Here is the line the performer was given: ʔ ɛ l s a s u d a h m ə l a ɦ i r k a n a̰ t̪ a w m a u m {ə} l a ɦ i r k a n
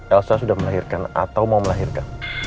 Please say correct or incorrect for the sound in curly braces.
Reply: correct